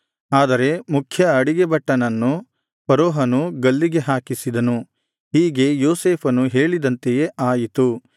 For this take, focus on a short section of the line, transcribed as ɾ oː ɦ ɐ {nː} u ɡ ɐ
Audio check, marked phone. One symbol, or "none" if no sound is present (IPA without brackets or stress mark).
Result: n